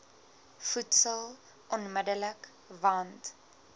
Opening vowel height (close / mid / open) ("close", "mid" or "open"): close